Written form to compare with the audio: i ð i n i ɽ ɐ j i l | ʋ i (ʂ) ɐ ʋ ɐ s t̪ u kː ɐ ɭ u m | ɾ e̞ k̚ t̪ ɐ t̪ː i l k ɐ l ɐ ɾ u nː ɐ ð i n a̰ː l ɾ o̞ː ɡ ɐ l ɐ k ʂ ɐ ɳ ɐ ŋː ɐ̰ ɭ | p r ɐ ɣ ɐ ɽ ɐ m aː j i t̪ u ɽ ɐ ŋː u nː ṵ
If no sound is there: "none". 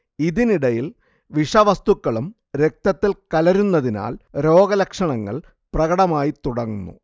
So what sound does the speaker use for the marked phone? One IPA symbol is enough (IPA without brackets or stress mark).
ʂ